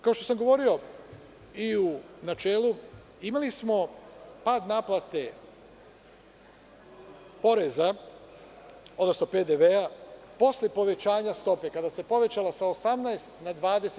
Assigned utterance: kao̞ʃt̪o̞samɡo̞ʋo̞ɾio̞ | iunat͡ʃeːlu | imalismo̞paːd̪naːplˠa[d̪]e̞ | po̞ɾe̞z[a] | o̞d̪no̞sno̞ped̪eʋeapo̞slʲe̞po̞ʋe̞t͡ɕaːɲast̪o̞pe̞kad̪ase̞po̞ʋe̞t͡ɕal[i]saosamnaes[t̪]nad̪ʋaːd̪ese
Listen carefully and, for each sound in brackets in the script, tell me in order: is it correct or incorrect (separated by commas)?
incorrect, correct, incorrect, correct